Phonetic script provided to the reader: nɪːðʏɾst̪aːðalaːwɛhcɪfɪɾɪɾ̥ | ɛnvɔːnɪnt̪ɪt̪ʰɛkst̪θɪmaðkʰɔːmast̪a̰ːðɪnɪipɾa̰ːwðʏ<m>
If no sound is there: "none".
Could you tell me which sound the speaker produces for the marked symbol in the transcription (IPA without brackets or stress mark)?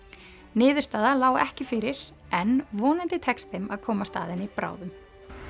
m